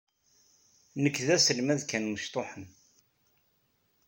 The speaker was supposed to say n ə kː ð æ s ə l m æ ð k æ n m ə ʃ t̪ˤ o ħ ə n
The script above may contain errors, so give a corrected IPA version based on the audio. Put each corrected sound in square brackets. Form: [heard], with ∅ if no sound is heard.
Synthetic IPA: n ə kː ð æ s ə l m æ ð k æ n m ə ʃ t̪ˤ o ħ ə n